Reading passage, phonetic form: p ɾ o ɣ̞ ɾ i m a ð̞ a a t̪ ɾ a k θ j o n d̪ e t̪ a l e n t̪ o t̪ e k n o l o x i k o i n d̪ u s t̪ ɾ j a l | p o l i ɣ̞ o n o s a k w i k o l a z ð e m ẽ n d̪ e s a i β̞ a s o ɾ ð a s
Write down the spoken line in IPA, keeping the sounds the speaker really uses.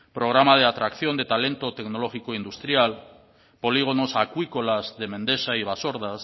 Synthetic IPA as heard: p ɾ o ɣ̞ ɾ a m a ð̞ e a t̪ ɾ a k θ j o n d̪ e t̪ a l e n t̪ o t̪ e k n o l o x i k o i n d̪ u s t̪ ɾ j a l | p o l i ɣ̞ o n o s a k w i k o l a z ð e m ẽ n d̪ e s a i β̞ a s o ɾ ð a s

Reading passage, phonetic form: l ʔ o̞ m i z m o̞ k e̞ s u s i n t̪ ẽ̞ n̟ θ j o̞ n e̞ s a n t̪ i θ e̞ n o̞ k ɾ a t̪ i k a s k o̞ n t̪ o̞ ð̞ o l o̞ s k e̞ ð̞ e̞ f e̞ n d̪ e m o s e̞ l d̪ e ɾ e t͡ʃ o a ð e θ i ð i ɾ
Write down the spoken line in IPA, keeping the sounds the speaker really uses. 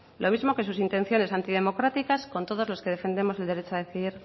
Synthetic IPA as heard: l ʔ o̞ m i z m o̞ k e̞ s u s i n t̪ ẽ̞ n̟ θ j o̞ n e̞ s a n t̪ i ð e̞ m o̞ k ɾ a t̪ i k a s k o̞ n t̪ o̞ ð̞ o l o̞ s k e̞ ð̞ e̞ f e̞ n d̪ e m o s e̞ l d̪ e ɾ e t͡ʃ o a ð e θ i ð i ɾ

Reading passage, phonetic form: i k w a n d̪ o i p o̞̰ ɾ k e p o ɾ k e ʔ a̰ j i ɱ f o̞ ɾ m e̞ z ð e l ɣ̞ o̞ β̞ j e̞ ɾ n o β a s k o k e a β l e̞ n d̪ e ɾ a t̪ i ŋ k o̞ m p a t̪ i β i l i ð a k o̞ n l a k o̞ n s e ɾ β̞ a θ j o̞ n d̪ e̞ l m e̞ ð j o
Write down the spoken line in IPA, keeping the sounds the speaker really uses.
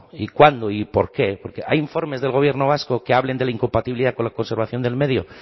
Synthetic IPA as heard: i k w a n d̪ o i p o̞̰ ɾ k e p o ɾ k e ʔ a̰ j i ɱ f o̞ ɾ m e̞ z ð e l ɣ̞ o̞ β̞ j e̞ ɾ n o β a s k o k e a β l e̞ n d̪ e l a i ŋ k o̞ m p a t̪ i β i l i ð a k o̞ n l a k o̞ n s e ɾ β̞ a θ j o̞ n d̪ e̞ l m e̞ ð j o

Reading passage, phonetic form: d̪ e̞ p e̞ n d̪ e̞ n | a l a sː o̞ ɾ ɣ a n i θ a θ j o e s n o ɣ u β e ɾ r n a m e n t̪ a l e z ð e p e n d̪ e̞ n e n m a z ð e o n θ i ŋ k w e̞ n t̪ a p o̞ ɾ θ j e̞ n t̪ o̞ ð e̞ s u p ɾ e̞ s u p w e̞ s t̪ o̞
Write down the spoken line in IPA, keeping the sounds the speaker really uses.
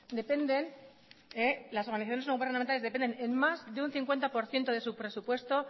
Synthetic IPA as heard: d̪ e̞ p e̞ n d̪ e̞ n | e l a s o̞ ɾ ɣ a n i θ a θ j o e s n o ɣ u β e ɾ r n a m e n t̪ a l e z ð e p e n d̪ e̞ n e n m a z ð e u n θ i ŋ k w e̞ n t̪ a p o̞ ɾ θ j e̞ n t̪ o̞ ð e̞ s u p ɾ e̞ s u p w e̞ s t̪ o̞

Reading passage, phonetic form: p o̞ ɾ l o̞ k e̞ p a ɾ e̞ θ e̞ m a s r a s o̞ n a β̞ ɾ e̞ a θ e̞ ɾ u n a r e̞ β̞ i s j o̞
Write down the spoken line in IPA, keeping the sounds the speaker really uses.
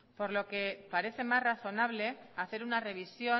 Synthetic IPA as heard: p o̞ ɾ l o̞ k e̞ p a ɾ e̞ θ e̞ m a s r a θ o̞ n a β̞ l e̞ a θ e̞ ɾ u n a r e̞ β̞ i s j o̞

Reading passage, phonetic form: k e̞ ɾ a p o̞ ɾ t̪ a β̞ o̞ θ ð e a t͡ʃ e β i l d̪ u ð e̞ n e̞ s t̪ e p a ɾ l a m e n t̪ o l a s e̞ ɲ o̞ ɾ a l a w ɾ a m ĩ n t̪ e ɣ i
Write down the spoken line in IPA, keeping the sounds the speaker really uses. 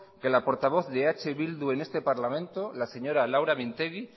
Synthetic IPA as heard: k e̞ l a p o̞ ɾ t̪ a β̞ o̞ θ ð e a t͡ʃ e β i l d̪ u e̞ n e̞ s t̪ e p a ɾ l a m ẽ n t̪ o l a s e̞ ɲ o̞ ɾ a l a w ɾ a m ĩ n t̪ e ɣ i

